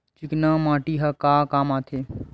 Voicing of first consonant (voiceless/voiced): voiceless